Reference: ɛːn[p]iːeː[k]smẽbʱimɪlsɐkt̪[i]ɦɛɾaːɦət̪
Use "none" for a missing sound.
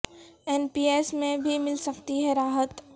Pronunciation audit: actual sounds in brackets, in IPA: p, none, i

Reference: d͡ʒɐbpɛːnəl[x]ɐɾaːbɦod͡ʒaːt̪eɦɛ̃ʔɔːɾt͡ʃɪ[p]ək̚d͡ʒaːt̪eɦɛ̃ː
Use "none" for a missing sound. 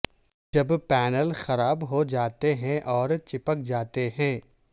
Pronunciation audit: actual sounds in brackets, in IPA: x, p

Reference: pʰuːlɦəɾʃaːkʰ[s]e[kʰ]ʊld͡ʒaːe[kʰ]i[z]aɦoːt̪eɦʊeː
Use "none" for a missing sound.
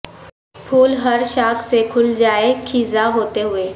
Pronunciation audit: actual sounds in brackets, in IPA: s, kʰ, kʰ, z

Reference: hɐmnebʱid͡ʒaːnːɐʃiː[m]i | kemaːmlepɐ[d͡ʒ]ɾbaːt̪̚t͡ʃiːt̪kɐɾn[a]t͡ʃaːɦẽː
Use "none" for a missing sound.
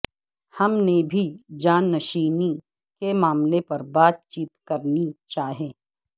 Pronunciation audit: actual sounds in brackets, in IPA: n, none, i

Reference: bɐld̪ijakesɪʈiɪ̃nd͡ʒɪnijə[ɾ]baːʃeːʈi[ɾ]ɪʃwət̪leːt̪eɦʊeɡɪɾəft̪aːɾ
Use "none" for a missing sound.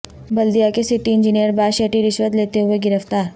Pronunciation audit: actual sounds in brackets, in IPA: ɾ, ɾ

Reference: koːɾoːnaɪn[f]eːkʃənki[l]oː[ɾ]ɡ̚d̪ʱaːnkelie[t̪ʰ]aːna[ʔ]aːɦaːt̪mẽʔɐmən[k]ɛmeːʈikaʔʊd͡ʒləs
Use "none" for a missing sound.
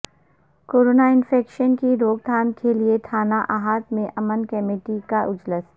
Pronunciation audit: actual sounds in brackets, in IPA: f, ɾ, none, t̪ʰ, ʔ, k

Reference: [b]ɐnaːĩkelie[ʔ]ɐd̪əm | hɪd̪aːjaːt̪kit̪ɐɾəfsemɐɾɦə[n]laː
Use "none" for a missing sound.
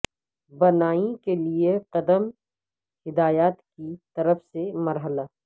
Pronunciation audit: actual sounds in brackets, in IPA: b, q, none

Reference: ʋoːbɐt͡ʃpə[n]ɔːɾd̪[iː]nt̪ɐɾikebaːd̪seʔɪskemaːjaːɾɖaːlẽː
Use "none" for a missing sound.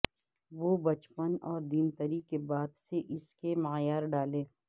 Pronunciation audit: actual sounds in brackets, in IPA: n, iː

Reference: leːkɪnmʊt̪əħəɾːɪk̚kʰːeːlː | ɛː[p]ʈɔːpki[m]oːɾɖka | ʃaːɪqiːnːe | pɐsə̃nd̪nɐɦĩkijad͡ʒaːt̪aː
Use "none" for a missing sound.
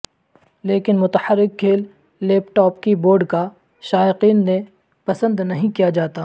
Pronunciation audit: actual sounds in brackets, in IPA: p, b

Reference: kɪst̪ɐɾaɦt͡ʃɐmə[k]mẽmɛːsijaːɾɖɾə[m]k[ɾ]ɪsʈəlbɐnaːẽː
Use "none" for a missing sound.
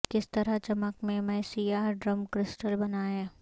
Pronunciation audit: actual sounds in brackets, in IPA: k, m, ɾ

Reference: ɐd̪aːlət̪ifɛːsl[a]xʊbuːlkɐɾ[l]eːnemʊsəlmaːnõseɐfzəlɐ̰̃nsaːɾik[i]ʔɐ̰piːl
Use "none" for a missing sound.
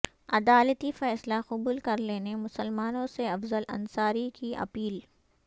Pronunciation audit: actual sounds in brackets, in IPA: a, l, i

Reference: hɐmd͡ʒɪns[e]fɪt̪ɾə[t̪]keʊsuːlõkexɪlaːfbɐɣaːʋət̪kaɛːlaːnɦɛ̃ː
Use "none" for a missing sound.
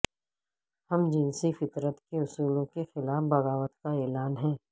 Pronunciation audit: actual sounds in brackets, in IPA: i, t̪

